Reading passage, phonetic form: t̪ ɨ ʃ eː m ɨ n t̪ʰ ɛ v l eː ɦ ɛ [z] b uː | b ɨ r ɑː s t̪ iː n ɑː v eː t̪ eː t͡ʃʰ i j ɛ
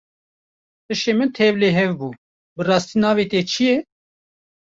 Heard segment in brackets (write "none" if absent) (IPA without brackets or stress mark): v